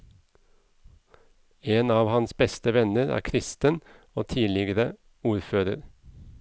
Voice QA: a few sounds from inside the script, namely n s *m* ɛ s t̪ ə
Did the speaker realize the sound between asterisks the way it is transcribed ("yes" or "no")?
no